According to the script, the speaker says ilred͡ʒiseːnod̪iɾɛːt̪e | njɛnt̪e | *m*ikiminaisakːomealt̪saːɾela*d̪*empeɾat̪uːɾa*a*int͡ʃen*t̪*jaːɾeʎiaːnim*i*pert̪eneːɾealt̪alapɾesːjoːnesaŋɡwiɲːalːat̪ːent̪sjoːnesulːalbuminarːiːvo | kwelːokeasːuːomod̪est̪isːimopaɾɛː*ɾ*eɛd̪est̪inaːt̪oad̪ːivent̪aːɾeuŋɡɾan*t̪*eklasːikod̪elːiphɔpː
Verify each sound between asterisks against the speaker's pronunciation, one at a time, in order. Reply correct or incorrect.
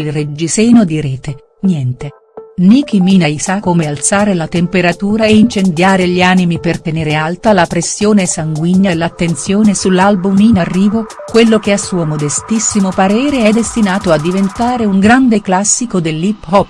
incorrect, incorrect, incorrect, incorrect, correct, correct, incorrect

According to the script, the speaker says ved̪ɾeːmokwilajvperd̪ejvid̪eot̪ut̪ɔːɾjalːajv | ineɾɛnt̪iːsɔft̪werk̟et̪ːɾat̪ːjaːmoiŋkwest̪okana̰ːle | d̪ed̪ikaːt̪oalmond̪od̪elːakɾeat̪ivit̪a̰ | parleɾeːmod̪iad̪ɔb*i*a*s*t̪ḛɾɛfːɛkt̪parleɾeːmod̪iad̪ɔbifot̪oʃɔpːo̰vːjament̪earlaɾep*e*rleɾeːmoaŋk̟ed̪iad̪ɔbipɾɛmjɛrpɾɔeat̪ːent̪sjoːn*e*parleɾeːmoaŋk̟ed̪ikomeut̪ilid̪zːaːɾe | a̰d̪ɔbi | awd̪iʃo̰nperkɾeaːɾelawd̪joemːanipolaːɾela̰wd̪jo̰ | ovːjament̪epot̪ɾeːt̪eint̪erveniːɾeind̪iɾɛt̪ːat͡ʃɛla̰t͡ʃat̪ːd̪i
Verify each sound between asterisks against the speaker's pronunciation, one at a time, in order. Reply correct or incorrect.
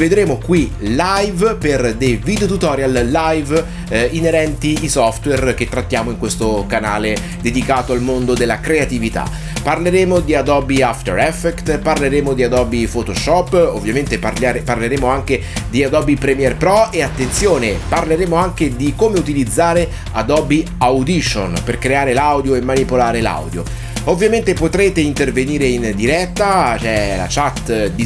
correct, incorrect, incorrect, correct

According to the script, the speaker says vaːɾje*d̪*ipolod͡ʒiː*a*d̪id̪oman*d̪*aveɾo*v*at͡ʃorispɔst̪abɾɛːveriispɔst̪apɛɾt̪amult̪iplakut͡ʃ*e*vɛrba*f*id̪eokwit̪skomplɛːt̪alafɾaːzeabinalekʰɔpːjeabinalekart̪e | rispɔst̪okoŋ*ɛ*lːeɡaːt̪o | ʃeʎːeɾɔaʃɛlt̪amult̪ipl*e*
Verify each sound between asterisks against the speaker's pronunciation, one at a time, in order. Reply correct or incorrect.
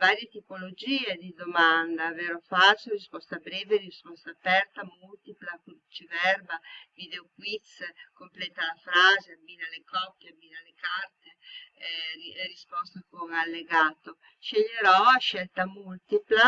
incorrect, incorrect, correct, incorrect, incorrect, incorrect, incorrect, incorrect

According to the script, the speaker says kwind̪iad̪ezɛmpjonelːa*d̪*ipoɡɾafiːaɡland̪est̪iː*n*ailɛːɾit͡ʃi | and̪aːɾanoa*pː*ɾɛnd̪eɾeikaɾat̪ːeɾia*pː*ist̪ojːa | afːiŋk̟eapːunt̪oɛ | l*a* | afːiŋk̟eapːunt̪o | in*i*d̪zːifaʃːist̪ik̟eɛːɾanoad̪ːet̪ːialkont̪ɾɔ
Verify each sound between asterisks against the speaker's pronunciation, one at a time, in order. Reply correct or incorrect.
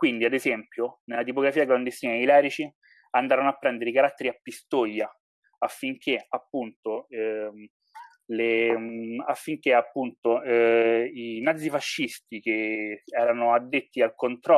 incorrect, correct, correct, correct, incorrect, incorrect

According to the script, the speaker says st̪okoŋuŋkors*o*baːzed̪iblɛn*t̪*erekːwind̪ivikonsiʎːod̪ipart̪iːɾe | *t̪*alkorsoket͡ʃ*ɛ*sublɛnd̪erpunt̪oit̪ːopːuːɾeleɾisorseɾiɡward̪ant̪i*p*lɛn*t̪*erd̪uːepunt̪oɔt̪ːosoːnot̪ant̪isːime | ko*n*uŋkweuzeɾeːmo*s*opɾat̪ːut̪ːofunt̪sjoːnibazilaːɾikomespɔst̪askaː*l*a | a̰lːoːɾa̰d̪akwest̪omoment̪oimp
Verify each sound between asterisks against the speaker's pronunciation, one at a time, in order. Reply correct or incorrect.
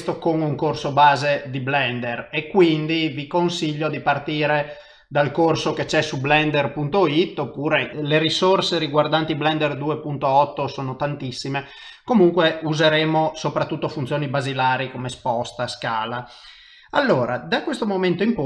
correct, incorrect, incorrect, correct, incorrect, incorrect, incorrect, correct, correct

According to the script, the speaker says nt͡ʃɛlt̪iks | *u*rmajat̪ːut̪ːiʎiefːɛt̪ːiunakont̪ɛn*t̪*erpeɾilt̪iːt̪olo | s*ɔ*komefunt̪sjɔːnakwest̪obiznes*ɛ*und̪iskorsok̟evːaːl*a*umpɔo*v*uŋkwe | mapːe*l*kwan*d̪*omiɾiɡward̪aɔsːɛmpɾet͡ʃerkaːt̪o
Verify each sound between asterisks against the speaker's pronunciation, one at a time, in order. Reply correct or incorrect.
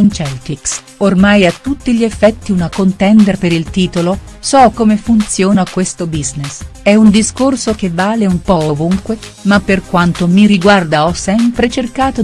incorrect, incorrect, correct, correct, incorrect, correct, incorrect, incorrect

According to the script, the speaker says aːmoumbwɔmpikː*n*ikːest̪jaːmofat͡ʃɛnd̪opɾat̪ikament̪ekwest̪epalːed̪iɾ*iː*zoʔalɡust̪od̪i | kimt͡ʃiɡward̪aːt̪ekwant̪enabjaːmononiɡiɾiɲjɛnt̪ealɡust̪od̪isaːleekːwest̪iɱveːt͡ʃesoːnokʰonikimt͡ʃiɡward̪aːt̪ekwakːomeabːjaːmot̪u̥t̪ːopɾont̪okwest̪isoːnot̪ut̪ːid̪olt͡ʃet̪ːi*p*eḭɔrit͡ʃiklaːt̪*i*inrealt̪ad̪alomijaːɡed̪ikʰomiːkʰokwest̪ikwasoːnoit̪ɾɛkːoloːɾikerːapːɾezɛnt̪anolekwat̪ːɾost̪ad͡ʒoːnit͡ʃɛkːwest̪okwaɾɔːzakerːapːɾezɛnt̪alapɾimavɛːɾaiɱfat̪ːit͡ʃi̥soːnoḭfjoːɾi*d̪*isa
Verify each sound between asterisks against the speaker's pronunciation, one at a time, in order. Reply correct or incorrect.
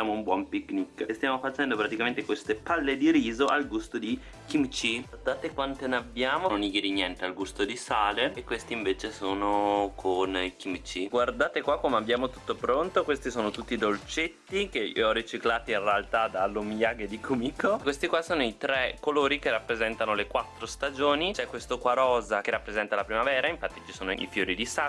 correct, correct, incorrect, correct, correct

